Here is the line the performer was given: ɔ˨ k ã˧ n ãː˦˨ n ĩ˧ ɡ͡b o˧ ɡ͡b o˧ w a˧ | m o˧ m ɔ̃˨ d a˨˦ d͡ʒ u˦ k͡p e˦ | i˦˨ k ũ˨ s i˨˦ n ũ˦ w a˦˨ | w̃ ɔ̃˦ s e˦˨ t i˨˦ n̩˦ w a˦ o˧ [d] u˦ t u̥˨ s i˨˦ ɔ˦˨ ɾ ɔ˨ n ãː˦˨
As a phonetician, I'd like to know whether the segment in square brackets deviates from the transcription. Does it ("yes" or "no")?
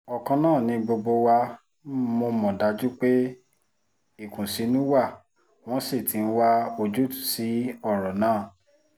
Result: yes